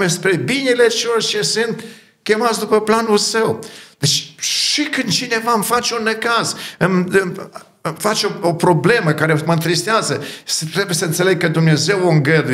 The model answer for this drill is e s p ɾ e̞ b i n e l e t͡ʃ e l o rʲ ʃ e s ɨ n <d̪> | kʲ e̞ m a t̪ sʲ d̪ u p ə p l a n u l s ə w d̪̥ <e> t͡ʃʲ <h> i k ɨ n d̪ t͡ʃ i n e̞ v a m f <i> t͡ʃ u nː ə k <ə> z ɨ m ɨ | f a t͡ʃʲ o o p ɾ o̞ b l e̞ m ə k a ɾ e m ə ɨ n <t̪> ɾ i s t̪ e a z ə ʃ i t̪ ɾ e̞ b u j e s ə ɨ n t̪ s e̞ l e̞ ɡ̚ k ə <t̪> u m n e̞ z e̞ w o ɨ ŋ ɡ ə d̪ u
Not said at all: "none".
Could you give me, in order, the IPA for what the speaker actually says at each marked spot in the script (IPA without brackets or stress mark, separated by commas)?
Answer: t̪, e, ʃ, a, a, t̪, d̪